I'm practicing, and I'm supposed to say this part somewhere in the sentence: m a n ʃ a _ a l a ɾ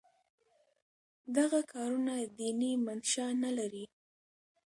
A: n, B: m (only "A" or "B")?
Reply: A